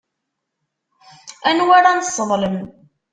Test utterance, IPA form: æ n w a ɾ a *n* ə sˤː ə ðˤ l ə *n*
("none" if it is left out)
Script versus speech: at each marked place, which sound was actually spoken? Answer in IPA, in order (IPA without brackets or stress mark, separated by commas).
n, m